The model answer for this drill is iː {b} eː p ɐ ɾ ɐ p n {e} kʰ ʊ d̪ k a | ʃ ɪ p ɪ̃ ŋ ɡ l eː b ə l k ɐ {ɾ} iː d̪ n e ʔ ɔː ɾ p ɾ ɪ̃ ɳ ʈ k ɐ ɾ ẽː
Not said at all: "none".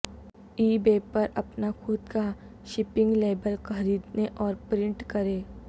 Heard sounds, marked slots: b, a, ɾ

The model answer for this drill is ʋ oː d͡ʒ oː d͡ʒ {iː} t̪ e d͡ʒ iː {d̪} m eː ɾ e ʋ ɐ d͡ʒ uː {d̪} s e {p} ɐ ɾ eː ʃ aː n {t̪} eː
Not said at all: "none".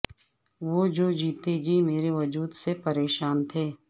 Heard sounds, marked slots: iː, none, d̪, p, t̪ʰ

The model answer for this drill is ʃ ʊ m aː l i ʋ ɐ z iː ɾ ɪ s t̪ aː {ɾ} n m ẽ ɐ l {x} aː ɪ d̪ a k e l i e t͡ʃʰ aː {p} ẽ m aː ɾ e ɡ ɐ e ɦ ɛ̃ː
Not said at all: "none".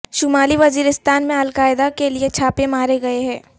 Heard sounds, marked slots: none, k, p

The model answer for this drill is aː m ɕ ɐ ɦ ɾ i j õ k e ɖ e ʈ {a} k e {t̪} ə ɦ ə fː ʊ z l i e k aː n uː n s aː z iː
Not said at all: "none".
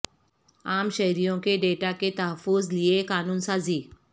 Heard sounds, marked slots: a, t̪

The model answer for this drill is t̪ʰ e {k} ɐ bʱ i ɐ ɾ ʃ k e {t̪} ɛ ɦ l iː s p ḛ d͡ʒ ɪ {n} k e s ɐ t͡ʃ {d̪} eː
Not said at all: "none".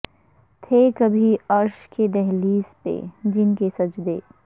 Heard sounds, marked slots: k, d̪, n, d̪

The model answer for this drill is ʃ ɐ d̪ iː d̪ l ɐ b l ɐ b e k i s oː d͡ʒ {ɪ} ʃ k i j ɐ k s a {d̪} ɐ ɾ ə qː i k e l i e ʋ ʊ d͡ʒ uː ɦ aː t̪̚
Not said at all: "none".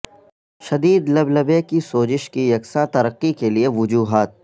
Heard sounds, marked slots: ɪ, t̪

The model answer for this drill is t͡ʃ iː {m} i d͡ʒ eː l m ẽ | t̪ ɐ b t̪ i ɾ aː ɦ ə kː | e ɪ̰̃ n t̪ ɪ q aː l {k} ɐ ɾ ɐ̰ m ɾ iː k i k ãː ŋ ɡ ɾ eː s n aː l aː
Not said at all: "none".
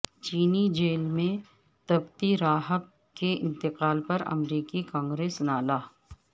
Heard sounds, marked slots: n, p

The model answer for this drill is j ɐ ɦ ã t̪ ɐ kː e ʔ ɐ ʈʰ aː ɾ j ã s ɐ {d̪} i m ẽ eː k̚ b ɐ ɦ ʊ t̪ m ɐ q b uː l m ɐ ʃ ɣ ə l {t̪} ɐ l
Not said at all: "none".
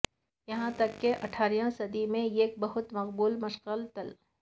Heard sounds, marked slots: d̪, t̪

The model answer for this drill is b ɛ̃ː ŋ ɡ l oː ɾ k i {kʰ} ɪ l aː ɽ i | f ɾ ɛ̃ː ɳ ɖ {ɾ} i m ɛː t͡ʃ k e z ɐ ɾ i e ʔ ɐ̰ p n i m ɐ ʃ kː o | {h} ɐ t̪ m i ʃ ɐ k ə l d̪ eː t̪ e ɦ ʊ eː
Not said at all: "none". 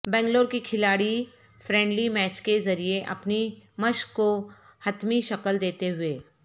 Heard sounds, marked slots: kʰ, l, h

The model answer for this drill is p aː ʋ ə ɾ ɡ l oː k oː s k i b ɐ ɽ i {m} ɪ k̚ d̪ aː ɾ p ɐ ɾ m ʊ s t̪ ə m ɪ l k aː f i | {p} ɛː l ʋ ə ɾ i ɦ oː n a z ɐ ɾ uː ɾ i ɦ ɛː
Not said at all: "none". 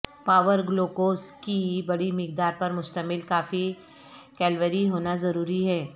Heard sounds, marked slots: m, k

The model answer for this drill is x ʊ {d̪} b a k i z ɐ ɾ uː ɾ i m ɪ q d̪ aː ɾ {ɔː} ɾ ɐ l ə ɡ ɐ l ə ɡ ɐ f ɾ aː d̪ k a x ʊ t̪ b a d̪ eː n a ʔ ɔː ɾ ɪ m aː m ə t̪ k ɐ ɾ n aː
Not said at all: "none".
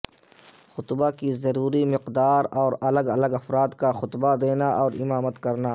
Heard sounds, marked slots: t̪, ɔː

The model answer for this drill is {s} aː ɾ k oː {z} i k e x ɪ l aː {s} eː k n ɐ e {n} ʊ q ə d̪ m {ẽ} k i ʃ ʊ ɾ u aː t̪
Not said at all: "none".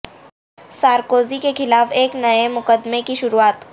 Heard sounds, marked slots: s, z, f, m, e

